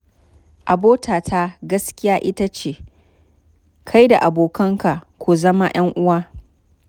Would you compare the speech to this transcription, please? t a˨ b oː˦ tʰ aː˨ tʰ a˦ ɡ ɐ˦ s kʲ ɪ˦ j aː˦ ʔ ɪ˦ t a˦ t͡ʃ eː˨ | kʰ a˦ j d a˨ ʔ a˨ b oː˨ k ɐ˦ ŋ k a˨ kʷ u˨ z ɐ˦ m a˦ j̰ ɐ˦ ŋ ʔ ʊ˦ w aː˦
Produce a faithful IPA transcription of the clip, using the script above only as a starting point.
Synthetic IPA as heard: ʔ a˨ b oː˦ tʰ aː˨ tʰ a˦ ɡ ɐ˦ s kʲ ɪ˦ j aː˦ ʔ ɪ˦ t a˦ t͡ʃ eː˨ | kʰ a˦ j d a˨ ʔ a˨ b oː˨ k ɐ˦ ŋ k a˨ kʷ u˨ z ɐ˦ m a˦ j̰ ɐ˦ ŋ ʔ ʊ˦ w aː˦